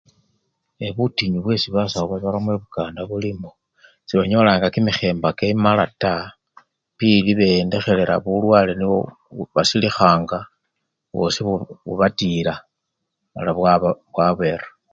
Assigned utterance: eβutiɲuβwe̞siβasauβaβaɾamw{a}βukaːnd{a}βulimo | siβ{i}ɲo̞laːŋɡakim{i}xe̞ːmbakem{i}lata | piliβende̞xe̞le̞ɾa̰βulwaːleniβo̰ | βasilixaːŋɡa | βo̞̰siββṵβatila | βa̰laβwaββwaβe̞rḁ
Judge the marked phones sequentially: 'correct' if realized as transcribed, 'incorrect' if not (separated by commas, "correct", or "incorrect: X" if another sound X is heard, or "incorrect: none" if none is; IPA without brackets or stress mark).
incorrect: e, correct, incorrect: a, correct, incorrect: a